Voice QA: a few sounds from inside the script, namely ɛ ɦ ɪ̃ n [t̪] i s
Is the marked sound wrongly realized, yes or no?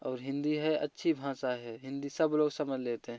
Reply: yes